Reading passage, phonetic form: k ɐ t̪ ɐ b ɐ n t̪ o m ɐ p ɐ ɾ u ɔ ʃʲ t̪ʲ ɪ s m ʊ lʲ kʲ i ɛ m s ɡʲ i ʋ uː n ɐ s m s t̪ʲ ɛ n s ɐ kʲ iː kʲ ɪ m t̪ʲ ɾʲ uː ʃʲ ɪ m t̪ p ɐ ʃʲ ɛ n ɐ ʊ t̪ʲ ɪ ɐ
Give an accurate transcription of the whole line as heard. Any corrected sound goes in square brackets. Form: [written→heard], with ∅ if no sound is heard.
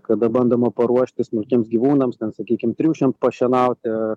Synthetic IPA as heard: k ɐ [t̪→d̪] ɐ b ɐ n [t̪→d̪] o m ɐ p ɐ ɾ u ɔ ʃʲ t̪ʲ ɪ s m ʊ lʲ kʲ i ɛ m s ɡʲ i ʋ uː n ɐ [s→∅] m s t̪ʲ ɛ n s ɐ kʲ iː kʲ ɪ m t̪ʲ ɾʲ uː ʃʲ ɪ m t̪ p ɐ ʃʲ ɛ n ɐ ʊ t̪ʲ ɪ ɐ